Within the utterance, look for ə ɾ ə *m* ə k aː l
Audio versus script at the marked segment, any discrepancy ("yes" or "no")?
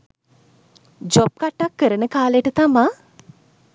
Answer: yes